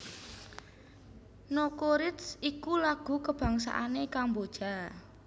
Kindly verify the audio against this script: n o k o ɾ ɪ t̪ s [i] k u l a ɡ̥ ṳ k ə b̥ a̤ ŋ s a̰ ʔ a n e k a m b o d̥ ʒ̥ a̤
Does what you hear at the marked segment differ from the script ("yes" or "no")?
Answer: no